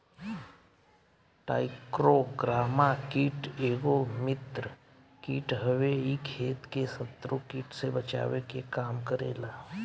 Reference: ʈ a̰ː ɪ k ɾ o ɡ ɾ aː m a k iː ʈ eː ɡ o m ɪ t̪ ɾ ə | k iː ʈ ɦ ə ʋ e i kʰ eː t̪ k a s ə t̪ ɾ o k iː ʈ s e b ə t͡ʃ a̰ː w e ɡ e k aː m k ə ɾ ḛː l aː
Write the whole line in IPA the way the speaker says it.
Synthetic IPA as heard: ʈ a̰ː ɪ k ɾ o ɡ ɾ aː m a k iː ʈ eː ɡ o m ɪ t̪ ɾ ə | k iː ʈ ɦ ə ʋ e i kʰ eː t̪ k e s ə t̪ ɾ o k iː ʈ s e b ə t͡ʃ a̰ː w e k e k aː m k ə ɾ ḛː l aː